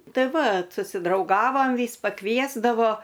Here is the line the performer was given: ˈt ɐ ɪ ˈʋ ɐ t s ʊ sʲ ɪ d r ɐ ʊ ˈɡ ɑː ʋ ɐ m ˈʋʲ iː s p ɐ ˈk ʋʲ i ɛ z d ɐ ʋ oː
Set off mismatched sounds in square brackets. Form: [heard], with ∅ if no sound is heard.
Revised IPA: ˈt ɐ ɪ ˈʋ ɐ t s ʊ sʲ ɪ d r ɐ ʊ ˈɡ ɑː ʋ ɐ m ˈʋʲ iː s p ɐ ˈk ʋʲ i ɛ z d ɐ ʋ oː